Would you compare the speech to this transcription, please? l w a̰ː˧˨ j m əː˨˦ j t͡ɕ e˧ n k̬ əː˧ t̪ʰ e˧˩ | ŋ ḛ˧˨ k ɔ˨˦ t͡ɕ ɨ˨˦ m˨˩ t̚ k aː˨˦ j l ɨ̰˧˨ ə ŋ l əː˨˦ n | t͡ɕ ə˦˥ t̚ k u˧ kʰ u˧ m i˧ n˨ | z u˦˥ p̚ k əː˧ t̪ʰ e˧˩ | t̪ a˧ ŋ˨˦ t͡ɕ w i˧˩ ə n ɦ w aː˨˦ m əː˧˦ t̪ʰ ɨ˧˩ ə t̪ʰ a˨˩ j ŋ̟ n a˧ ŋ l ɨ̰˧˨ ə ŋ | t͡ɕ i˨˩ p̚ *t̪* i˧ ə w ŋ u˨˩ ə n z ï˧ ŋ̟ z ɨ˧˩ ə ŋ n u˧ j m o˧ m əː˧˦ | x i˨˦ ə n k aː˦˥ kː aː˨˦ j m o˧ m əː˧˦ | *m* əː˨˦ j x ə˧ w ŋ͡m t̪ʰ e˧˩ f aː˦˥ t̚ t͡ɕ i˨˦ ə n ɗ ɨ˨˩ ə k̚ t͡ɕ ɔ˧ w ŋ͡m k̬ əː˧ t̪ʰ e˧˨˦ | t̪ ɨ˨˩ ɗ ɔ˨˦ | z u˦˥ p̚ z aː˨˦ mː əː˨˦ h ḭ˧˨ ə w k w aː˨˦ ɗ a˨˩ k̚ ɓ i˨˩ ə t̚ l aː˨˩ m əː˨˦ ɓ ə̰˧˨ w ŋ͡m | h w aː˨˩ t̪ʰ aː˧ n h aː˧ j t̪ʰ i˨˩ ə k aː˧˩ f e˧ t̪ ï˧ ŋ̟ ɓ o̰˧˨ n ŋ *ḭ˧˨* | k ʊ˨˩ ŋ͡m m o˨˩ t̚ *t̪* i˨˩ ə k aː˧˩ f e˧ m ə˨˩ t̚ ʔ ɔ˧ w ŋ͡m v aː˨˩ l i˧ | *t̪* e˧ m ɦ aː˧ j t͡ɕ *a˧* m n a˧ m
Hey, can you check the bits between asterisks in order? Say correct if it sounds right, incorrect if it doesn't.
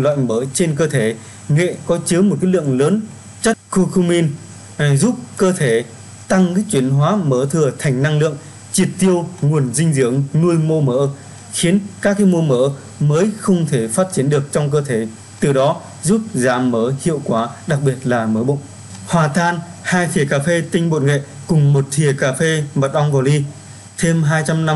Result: correct, correct, incorrect: ḛ˧˨, incorrect: t̪ʰ, incorrect: t̪ʰ, correct

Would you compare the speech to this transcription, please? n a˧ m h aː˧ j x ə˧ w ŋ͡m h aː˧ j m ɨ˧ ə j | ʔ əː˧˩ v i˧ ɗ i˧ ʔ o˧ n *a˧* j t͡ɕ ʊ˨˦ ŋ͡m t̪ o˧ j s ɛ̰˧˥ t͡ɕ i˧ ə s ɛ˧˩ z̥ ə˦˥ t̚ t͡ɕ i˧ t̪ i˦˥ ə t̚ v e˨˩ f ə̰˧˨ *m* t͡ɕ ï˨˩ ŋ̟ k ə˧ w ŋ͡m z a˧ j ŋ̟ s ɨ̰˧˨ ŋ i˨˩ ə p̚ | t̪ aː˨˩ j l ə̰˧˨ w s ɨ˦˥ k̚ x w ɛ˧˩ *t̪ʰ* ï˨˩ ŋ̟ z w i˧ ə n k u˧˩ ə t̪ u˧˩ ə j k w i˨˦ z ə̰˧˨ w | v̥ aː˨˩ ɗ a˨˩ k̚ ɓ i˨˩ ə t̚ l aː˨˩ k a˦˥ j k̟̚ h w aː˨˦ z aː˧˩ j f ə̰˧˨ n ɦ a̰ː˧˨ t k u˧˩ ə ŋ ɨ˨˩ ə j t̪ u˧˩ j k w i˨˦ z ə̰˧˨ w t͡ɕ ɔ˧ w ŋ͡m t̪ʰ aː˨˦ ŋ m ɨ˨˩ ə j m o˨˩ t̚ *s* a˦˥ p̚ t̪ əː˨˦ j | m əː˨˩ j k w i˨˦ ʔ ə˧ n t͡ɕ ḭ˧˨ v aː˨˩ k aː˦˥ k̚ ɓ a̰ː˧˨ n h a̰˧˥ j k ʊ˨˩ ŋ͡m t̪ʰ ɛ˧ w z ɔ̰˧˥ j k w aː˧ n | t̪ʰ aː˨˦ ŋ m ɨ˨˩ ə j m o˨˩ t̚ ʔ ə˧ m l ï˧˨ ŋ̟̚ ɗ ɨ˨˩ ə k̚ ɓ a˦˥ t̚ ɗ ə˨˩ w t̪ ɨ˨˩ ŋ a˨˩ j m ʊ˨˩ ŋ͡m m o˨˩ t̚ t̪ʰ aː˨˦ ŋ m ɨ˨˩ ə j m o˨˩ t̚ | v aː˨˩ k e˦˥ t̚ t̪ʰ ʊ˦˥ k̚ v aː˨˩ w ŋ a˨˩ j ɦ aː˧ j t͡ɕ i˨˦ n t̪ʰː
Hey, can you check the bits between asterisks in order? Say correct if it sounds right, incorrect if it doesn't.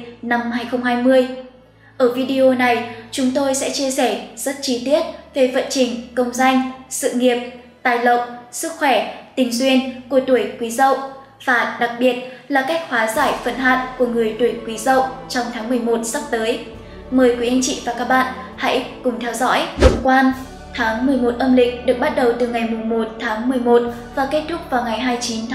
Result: incorrect: a˨˩, incorrect: n, incorrect: t̪, correct

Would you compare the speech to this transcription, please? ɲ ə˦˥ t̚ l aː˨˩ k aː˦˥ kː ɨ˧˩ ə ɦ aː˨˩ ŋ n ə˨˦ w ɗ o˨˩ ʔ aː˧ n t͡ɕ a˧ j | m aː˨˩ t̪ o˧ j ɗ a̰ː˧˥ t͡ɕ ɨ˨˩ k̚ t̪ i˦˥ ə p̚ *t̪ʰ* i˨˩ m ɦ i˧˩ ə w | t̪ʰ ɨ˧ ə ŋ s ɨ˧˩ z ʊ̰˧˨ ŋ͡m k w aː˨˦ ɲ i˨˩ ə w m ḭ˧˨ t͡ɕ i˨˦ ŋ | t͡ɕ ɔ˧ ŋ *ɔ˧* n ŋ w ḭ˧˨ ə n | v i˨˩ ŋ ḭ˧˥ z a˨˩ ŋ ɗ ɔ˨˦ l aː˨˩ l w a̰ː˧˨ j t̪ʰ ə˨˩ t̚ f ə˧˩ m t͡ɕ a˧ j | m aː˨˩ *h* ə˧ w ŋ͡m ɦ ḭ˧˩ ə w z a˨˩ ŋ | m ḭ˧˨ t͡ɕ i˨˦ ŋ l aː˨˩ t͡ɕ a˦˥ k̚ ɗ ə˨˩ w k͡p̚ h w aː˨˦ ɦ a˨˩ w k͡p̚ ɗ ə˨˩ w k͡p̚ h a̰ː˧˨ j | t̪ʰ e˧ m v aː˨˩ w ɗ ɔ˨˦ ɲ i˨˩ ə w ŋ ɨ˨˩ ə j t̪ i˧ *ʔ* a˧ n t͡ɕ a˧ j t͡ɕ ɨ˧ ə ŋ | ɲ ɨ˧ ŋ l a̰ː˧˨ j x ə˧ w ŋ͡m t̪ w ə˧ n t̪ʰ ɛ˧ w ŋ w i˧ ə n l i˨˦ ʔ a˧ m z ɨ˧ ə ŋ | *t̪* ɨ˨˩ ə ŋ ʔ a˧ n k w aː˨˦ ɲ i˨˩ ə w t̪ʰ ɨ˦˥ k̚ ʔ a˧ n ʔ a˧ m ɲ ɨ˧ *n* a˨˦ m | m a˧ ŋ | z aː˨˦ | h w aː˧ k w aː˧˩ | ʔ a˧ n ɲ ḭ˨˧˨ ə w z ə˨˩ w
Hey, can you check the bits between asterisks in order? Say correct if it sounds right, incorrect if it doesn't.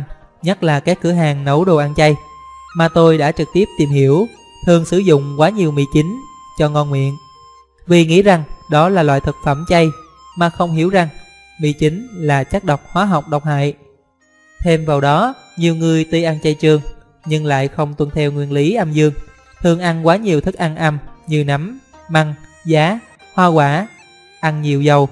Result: incorrect: t̪, correct, incorrect: x, correct, incorrect: t̪ʰ, correct

